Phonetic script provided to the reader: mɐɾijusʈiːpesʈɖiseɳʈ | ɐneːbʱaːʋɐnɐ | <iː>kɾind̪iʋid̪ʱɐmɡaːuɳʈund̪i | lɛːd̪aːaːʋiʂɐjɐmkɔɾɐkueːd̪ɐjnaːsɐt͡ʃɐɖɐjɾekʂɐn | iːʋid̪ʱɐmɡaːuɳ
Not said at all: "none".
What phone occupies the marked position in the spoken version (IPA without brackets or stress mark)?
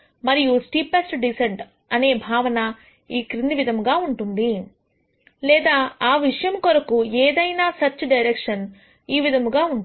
iː